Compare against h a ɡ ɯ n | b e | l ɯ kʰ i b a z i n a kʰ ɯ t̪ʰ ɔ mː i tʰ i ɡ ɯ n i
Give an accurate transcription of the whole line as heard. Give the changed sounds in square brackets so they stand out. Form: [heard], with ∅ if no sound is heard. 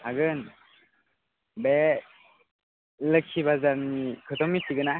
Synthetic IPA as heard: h a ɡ ɯ n | b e | l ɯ kʰ i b a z [a] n [i] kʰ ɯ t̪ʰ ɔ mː i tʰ i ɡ ɯ n [a]